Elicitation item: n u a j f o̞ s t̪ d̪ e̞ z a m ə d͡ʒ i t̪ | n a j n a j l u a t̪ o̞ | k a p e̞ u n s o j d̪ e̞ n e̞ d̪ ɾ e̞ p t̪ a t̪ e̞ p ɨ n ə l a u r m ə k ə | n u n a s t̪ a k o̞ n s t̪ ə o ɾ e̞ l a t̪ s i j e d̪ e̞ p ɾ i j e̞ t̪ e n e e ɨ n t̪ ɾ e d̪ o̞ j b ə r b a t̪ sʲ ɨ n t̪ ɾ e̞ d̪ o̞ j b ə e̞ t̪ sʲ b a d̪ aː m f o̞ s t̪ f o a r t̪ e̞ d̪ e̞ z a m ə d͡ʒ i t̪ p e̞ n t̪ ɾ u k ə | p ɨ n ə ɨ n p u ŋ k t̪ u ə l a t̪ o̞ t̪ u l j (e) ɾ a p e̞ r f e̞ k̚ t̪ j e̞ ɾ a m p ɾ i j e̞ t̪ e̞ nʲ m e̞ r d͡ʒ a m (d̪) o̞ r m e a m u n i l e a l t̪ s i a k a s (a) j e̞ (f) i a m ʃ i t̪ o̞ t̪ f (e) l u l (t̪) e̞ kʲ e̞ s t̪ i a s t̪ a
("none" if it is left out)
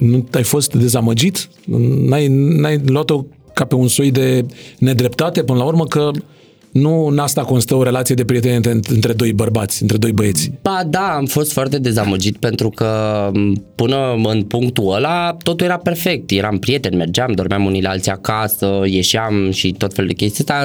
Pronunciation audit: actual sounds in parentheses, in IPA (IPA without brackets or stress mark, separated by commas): e, d̪, ə, ʃ, e, d̪